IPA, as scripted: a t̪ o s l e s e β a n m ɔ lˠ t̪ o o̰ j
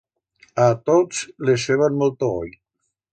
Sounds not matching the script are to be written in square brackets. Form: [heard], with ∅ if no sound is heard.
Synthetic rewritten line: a t̪ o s l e s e β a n m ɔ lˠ t̪ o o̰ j

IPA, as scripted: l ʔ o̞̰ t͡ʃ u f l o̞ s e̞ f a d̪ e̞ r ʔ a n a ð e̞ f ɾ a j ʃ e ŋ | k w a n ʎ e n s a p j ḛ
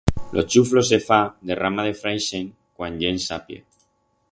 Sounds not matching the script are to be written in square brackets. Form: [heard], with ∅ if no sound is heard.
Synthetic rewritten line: l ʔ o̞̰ t͡ʃ u f l o̞ s e̞ f a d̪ e̞ r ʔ a [m] a ð e̞ f ɾ a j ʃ e ŋ | k w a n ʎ e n s a p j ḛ

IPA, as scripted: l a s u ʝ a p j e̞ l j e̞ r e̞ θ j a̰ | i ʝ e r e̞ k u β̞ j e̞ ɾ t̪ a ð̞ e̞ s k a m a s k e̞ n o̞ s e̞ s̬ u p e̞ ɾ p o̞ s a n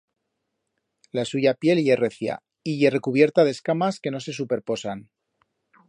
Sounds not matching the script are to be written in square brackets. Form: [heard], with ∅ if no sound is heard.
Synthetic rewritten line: l a s u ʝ a p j e̞ l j e̞ r e̞ θ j a̰ | i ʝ e r e̞ k u β̞ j e̞ ɾ t̪ a ð̞ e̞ s k a m a s k e̞ n o̞ s e̞ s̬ u p e̞ ɾ p o̞ s a n

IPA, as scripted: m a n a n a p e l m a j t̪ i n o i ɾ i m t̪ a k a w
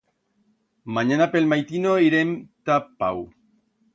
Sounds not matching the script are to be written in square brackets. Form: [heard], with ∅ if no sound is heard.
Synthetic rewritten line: m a [ɲ] a n a p e l m a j t̪ i n o i ɾ [e] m t̪ a [p] a w

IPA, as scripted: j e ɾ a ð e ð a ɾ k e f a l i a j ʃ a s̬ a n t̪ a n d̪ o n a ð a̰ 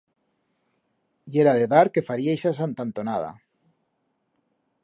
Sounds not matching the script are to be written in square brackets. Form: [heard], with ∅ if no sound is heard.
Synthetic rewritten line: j e ɾ a ð e ð a ɾ k e f a [ɾ] i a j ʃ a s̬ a n t̪ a n [t̪] o n a ð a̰

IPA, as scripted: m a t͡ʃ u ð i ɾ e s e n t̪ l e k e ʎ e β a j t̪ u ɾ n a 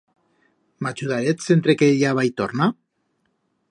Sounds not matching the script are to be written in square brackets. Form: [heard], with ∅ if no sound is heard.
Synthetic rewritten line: m a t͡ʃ u ð [a] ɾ e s e n t̪ [ɾ] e k e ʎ [a] β a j t̪ [o] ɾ n a

